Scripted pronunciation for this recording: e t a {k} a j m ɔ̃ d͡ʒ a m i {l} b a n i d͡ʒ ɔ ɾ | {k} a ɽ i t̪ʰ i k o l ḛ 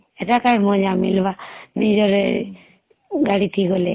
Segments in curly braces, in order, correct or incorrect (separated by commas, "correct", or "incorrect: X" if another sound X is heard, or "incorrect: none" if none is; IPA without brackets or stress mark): correct, correct, incorrect: ɡ